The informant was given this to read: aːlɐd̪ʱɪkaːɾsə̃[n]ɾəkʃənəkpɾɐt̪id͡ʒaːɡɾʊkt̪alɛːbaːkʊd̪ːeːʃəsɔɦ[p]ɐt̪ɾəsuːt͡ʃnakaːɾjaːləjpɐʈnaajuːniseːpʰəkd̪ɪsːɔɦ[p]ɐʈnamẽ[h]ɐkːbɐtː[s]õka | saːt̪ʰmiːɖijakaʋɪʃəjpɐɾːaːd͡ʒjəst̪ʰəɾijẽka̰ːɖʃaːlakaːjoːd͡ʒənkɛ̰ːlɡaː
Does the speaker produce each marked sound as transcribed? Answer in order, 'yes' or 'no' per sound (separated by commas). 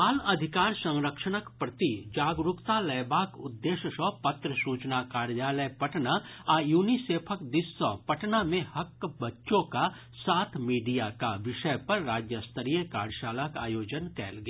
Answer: no, yes, yes, yes, no